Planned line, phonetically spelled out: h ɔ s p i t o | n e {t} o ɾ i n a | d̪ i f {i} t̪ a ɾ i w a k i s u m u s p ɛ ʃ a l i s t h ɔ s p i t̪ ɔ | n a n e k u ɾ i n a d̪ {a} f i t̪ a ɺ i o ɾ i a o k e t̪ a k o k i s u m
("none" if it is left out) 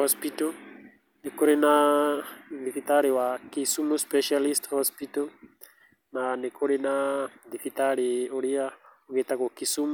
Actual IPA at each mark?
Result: k, i, i

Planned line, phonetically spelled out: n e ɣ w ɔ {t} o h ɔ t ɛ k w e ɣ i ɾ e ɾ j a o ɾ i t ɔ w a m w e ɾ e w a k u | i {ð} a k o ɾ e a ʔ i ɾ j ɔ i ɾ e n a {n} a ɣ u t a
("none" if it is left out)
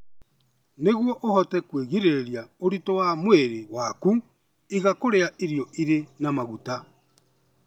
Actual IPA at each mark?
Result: ʔ, ɣ, m

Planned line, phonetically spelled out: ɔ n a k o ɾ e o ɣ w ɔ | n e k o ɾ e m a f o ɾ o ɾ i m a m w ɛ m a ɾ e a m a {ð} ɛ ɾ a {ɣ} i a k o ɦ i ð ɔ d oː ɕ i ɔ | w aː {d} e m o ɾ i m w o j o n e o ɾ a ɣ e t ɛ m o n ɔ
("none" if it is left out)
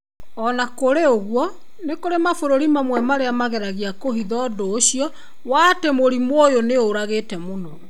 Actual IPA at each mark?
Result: ɣ, ɣ, t

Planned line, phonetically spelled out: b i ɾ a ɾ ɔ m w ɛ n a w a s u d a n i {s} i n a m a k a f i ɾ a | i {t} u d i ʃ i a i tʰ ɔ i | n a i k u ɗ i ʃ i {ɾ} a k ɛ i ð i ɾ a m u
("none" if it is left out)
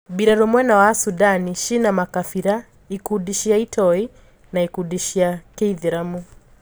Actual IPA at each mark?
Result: ʃ, k, none

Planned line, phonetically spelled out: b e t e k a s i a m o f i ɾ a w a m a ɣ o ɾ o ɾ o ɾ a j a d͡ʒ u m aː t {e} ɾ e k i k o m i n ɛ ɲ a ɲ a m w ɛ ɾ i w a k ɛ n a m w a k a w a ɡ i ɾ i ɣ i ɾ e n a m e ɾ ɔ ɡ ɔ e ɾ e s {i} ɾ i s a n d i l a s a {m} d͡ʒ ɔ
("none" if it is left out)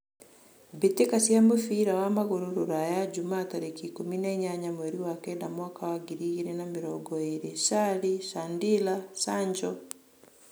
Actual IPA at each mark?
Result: a, a, ɲ

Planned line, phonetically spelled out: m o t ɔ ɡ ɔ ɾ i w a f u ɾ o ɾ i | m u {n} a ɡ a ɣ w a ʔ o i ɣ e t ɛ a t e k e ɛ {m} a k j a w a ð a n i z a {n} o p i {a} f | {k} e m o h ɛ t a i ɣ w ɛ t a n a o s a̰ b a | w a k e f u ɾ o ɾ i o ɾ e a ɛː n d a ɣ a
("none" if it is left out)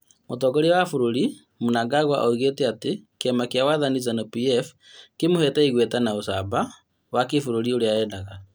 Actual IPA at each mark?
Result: n, m, n, ɛ, k

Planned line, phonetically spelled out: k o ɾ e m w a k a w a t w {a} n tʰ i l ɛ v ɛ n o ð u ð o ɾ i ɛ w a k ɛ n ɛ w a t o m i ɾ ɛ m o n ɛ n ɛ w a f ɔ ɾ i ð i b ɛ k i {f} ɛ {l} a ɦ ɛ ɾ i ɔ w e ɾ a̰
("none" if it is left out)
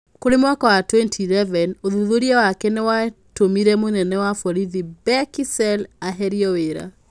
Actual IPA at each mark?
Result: ɛ, s, l

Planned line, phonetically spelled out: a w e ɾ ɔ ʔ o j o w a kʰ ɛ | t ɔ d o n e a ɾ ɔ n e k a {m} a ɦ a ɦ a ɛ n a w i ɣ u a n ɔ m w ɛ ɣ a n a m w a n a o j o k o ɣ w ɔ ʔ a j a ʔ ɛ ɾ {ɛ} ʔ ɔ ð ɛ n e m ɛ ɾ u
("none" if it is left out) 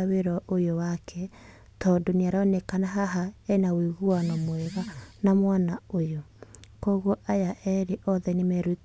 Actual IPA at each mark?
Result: n, e

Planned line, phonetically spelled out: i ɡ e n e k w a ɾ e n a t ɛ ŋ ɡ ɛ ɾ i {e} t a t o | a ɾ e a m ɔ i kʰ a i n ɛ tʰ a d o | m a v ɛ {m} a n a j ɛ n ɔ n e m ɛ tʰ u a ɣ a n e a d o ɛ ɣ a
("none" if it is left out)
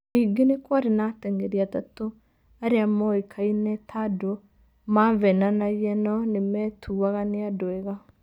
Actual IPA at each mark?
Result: a, n

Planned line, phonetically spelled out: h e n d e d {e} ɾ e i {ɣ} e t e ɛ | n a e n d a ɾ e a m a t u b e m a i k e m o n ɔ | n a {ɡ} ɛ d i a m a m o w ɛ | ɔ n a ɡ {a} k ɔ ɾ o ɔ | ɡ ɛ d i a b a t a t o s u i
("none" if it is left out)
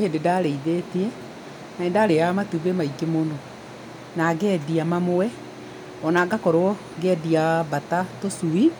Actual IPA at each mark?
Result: a, ð, ɡ, a

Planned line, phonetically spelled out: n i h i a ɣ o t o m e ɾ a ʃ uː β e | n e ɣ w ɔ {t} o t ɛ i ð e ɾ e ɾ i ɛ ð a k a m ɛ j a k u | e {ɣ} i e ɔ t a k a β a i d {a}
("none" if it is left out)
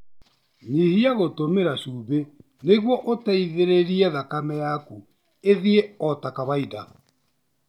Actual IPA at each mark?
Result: ʔ, ð, a

